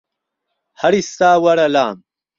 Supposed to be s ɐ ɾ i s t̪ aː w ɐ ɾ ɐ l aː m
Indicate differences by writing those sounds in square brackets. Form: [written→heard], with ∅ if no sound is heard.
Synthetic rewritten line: [s→h] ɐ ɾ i s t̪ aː w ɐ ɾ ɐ l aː m